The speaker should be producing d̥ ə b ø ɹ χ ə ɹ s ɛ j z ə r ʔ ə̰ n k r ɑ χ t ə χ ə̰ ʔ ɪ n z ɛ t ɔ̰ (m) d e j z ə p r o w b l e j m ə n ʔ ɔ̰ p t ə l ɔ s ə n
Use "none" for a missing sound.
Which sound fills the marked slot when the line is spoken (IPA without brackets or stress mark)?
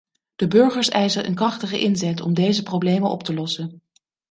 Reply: m